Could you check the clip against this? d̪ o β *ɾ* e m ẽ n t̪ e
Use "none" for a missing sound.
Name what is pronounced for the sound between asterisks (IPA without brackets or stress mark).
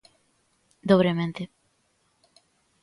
ɾ